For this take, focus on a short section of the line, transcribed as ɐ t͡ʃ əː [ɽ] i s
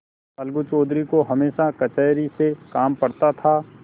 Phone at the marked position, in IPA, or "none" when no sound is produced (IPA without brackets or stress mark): ɾ